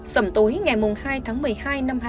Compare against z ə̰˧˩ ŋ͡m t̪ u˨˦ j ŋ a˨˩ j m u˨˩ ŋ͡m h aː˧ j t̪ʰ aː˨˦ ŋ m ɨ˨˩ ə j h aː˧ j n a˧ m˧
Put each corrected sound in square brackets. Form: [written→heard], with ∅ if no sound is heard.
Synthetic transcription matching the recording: [z→s] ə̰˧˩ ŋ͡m t̪ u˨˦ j ŋ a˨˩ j m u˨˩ ŋ͡m h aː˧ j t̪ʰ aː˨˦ ŋ m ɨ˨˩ ə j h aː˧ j n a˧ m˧